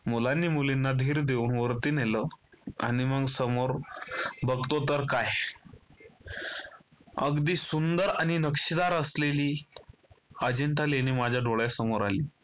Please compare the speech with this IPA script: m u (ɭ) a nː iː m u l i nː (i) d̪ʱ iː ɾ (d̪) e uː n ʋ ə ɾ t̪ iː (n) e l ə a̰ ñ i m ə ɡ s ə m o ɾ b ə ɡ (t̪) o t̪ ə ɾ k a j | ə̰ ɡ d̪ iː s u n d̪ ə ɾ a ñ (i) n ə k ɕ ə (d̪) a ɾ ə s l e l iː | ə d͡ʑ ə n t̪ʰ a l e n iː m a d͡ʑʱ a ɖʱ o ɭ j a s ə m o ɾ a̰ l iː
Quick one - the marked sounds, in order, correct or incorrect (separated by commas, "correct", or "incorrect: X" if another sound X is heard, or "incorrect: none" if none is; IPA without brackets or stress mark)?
incorrect: l, incorrect: a, correct, correct, correct, correct, correct